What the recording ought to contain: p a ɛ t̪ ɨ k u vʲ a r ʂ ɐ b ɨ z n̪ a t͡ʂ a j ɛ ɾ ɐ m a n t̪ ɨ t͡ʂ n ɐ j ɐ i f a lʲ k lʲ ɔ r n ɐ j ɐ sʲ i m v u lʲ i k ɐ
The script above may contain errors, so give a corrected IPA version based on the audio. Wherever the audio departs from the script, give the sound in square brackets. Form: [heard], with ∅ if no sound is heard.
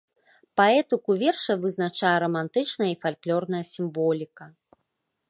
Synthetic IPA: p a ɛ t̪ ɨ k u vʲ [ɛ] r ʂ ɐ [v] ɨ z n̪ a t͡ʂ a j ɛ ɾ ɐ m a n t̪ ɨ t͡ʂ n ɐ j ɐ i f a lʲ k lʲ ɔ r n ɐ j ɐ sʲ i m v [ɔ] lʲ i k ɐ